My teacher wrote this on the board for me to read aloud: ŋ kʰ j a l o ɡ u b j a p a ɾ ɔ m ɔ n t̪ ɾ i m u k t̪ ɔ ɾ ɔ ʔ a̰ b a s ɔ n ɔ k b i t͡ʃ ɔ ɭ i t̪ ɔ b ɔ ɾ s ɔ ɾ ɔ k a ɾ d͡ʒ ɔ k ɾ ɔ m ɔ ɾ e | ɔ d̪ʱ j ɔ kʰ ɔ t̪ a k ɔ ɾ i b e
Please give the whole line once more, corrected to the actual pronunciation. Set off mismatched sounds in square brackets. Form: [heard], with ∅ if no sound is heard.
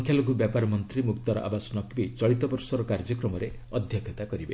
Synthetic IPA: ŋ kʰ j a l o ɡ u b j a p a ɾ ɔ m ɔ n t̪ ɾ i m u k t̪ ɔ ɾ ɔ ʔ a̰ b a s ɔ n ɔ k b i t͡ʃ ɔ ɭ i t̪ ɔ b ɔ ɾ s ɔ ɾ ɔ k a ɾ d͡ʒ ɔ k ɾ ɔ m ɔ ɾ e | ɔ d̪ʱ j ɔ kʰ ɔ t̪ a k ɔ ɾ i b e